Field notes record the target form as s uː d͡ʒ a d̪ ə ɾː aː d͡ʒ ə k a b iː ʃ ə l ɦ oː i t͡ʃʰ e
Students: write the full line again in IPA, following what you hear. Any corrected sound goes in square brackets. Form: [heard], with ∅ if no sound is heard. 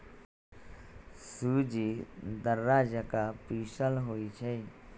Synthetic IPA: s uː d͡ʒ [i] d̪ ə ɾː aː d͡ʒ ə k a [p] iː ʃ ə l ɦ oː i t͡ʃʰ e